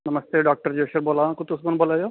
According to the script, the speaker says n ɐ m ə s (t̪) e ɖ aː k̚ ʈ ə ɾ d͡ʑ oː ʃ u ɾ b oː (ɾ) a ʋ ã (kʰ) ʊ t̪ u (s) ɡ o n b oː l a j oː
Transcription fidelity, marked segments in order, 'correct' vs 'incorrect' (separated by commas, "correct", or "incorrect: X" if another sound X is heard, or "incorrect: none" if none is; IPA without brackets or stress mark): correct, incorrect: l, incorrect: k, correct